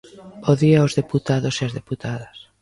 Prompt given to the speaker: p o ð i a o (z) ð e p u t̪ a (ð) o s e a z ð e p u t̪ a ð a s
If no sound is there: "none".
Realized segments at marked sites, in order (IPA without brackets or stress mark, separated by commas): z, ð